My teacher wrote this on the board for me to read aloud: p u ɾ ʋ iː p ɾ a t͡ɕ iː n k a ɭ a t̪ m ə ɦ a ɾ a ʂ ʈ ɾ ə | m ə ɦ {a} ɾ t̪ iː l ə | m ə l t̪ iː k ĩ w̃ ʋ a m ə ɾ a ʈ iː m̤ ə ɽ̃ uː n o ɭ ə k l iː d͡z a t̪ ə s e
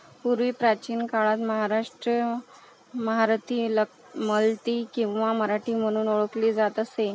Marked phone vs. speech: correct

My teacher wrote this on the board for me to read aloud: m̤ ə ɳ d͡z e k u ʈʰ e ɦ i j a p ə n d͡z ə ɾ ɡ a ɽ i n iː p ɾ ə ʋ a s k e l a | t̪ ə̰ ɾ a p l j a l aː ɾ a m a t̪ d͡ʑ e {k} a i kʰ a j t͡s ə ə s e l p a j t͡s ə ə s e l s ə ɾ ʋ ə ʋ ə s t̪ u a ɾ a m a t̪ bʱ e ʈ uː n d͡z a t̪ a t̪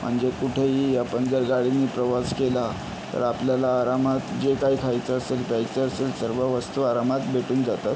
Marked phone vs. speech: correct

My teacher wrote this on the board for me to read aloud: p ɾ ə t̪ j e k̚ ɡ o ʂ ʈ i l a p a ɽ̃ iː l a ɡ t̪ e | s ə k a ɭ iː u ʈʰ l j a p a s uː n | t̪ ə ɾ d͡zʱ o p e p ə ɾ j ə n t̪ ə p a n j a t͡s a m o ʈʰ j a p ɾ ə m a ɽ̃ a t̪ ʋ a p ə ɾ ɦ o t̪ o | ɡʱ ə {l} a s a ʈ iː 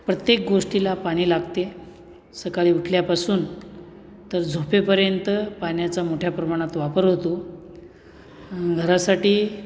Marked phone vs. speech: incorrect: ɾ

